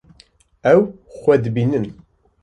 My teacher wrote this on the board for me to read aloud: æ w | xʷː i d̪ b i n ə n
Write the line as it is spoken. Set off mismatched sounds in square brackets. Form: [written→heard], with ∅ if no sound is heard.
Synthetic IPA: æ w | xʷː [i→æ] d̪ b i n ə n